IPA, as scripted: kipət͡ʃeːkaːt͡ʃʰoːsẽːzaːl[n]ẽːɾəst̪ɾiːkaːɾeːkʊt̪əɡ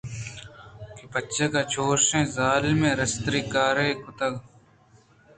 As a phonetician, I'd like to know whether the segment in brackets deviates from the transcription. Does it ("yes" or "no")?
yes